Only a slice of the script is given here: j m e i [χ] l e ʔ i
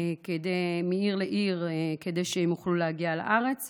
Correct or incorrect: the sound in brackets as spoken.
incorrect: ʁ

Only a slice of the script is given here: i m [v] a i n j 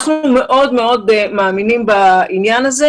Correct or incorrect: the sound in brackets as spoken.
incorrect: b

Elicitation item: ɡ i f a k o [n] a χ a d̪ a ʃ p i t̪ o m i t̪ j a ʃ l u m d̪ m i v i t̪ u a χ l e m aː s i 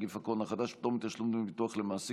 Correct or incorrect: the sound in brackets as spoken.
correct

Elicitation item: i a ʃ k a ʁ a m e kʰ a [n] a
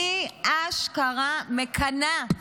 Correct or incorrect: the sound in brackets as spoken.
correct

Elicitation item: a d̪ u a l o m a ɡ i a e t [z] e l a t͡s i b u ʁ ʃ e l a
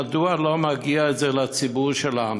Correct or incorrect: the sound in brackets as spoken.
correct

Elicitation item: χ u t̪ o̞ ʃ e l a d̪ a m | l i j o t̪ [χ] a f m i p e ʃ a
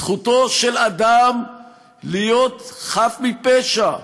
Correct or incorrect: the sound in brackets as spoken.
correct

